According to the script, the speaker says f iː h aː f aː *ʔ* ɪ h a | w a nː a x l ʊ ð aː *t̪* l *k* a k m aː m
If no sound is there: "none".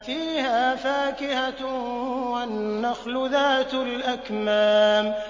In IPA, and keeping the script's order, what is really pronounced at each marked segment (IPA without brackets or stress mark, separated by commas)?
k, t̪, ʔ